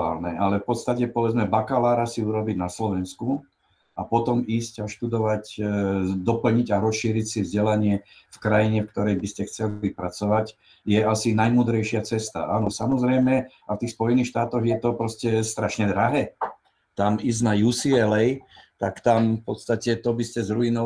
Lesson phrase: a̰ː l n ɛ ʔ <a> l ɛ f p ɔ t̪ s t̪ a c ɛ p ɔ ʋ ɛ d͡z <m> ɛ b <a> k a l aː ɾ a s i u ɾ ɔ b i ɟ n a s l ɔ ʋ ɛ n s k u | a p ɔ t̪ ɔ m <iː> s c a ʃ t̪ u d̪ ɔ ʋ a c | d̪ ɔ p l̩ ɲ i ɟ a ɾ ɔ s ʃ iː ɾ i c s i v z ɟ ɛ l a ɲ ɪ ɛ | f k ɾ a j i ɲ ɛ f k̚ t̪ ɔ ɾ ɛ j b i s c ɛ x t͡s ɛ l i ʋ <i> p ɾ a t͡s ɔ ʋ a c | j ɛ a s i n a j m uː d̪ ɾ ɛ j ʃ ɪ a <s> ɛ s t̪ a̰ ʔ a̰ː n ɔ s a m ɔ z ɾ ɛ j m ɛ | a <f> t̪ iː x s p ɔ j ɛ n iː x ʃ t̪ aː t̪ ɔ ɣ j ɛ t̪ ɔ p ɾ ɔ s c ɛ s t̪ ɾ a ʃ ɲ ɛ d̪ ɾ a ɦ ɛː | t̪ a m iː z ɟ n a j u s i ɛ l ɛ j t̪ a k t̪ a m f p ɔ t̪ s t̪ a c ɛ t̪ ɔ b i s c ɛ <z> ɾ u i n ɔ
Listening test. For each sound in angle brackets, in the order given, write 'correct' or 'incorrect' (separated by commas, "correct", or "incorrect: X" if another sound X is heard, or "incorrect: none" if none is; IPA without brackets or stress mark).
correct, correct, correct, correct, correct, incorrect: t͡s, correct, correct